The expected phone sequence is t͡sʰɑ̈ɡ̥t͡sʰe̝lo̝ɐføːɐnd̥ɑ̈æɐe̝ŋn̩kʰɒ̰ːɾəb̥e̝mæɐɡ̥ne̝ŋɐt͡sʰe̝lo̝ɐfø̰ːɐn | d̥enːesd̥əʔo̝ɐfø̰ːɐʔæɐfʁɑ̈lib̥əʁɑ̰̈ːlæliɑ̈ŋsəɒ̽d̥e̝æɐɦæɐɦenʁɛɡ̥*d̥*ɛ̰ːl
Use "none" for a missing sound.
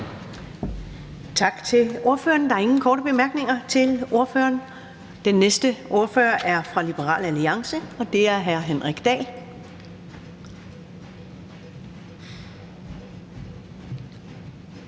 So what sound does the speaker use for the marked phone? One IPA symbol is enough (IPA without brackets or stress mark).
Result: d̥